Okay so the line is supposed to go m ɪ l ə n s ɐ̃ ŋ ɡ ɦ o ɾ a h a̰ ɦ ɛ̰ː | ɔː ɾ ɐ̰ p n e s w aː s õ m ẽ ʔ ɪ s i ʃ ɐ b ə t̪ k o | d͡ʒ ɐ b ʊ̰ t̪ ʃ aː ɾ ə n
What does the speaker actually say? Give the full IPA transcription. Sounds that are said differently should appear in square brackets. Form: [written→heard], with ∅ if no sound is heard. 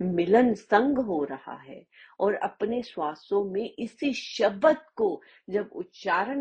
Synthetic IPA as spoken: m ɪ l ə n s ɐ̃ ŋ ɡ ɦ o ɾ [a→ɐ] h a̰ ɦ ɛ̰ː | ɔː ɾ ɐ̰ p n e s w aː s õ m ẽ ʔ ɪ s i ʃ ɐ b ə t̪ k o | d͡ʒ ɐ b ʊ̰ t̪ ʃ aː ɾ ə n